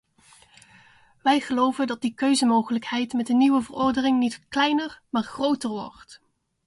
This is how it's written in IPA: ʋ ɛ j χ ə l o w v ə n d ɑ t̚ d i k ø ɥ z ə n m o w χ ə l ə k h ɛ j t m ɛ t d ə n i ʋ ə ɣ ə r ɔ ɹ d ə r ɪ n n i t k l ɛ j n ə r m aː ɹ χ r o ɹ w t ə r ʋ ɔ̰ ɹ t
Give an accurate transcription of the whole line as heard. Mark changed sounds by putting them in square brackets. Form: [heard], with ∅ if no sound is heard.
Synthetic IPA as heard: ʋ ɛ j χ ə l o w v ə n d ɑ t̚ d i k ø ɥ z ə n m o w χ ə l ə k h ɛ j t m ɛ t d ə n i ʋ ə [v] ə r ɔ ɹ d ə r ɪ [ŋ] n i t k l ɛ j n ə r m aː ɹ χ r o [∅] w t ə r ʋ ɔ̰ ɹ t

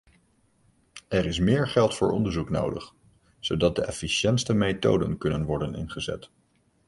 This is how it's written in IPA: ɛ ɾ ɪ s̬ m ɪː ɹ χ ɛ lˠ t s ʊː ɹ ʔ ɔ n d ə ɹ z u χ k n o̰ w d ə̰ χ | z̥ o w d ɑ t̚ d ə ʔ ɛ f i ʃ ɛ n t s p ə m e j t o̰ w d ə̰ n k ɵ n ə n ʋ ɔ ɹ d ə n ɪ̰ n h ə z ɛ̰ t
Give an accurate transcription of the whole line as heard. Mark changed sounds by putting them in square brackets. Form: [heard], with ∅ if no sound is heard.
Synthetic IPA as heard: ɛ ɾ ɪ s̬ m ɪː ɹ χ ɛ lˠ t [f] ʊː ɹ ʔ ɔ n d ə ɹ z u [∅] k n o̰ w d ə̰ χ | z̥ o w d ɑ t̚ d ə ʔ ɛ f i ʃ ɛ n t s [t] ə m e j t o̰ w d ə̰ n k ɵ n ə n ʋ ɔ ɹ d ə n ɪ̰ n [χ] ə z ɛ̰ t

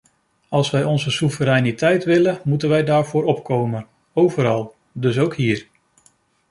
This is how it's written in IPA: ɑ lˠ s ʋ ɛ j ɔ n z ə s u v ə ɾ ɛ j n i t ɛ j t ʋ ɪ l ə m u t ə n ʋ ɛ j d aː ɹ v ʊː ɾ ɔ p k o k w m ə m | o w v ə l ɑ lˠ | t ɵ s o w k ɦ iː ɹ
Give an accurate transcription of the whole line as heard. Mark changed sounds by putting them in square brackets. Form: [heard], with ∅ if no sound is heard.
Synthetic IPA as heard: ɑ lˠ s ʋ ɛ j ɔ n z ə s u v ə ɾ ɛ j n i t ɛ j t ʋ ɪ l ə m u t ə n ʋ ɛ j d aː ɹ v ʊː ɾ ɔ p k o [∅] w m ə [n] | o w v ə [ɾ] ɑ lˠ | [d] ɵ s o w k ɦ iː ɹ

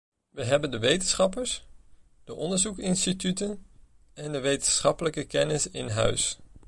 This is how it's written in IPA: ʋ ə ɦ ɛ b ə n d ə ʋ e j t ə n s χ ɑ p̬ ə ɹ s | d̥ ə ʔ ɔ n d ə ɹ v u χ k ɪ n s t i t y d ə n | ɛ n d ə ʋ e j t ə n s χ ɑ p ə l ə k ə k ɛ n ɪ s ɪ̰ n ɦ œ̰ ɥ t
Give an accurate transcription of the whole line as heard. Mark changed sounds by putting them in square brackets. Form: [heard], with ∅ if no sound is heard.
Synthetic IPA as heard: ʋ ə ɦ ɛ b ə n d ə ʋ e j t ə n s χ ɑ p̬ ə ɹ s | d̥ ə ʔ ɔ n d ə ɹ [z] u [∅] k ɪ n s t i t y [t] ə n | ɛ n d ə ʋ e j t ə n s χ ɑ p ə l ə k ə k ɛ n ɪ s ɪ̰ n ɦ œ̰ ɥ [s]

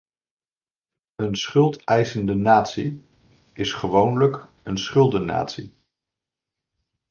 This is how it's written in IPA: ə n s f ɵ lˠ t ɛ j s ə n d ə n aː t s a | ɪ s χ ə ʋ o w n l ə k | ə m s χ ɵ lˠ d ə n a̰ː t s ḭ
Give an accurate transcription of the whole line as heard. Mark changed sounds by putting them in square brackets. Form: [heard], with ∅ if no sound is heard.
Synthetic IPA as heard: ə n s [χ] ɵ lˠ t ɛ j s ə n d ə n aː t s [i] | ɪ s χ ə ʋ o w n l ə k | ə [n] s χ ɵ lˠ d ə n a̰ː t s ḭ

